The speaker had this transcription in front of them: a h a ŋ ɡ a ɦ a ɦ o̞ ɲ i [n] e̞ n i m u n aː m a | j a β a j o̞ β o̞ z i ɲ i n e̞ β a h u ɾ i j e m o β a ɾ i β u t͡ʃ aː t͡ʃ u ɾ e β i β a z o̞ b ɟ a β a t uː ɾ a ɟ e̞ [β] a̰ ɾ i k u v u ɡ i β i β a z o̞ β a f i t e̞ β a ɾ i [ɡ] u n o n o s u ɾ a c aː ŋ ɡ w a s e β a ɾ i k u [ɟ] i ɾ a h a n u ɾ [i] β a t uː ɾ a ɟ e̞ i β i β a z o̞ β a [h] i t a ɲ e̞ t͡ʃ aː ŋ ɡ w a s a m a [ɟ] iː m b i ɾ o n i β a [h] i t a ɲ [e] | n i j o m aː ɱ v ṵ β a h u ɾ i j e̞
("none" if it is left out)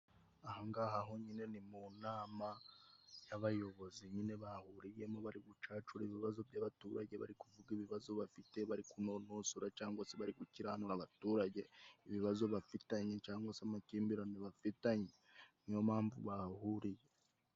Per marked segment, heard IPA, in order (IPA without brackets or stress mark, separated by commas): n, β, k, c, a, f, c, f, e